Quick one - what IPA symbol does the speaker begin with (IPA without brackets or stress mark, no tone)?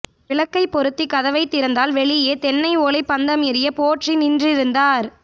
ʋ